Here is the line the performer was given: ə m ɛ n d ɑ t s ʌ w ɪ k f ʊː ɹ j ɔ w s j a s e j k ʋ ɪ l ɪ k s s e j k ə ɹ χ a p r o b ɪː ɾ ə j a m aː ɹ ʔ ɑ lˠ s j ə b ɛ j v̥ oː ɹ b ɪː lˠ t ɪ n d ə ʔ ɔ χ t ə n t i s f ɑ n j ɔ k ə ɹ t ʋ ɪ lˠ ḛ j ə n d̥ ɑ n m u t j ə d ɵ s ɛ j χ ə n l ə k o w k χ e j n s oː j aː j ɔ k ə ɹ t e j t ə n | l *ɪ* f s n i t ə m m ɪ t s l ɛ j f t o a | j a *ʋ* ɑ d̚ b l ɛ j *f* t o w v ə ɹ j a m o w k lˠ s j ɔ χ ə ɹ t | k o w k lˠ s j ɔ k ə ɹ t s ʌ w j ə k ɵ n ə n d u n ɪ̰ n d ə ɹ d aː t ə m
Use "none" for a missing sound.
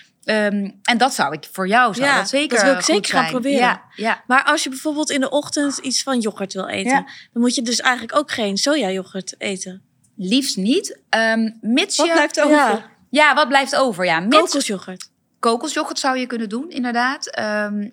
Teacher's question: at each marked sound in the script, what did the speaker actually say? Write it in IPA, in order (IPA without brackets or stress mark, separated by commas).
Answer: i, ʋ, f